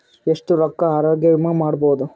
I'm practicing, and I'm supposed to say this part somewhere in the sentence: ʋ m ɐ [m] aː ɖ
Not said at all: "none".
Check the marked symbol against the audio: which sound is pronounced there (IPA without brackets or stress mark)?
m